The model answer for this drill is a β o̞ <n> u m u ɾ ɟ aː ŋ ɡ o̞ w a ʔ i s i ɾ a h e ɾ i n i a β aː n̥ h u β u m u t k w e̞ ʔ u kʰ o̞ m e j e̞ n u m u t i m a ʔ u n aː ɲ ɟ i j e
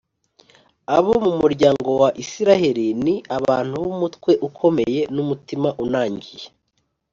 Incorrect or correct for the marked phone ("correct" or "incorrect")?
incorrect